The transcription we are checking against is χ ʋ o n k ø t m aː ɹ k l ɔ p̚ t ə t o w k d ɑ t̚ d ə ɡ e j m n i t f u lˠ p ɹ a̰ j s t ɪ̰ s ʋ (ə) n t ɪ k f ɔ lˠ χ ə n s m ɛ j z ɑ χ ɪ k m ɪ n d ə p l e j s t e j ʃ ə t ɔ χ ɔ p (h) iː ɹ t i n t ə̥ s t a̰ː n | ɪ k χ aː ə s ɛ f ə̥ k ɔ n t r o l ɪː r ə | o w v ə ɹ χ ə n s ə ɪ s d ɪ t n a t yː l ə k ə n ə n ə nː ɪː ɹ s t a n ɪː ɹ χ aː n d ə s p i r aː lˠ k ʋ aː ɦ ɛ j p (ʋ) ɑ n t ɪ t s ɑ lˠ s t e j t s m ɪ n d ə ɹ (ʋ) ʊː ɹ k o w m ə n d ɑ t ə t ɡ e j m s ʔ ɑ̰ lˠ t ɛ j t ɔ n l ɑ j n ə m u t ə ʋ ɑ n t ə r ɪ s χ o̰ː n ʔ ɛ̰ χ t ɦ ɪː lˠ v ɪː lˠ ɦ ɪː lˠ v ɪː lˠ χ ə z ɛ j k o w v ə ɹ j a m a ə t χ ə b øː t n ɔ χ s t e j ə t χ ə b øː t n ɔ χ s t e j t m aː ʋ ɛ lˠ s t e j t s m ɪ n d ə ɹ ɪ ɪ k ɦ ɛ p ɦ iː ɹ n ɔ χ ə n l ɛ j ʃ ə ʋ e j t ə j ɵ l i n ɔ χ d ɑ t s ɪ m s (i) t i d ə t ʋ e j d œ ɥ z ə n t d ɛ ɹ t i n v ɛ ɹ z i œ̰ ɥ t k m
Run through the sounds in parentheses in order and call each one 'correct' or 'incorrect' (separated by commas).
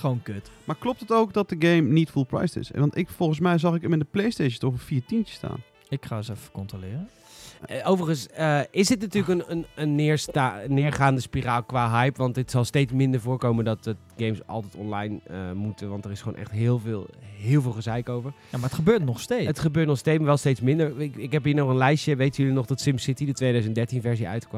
incorrect, incorrect, correct, incorrect, incorrect